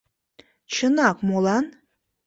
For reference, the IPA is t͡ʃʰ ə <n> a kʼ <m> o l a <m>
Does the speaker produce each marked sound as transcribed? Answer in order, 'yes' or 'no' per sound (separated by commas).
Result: yes, yes, no